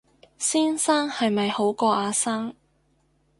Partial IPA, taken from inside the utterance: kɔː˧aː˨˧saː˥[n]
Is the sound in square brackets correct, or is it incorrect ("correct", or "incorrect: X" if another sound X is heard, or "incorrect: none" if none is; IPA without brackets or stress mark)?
incorrect: ŋ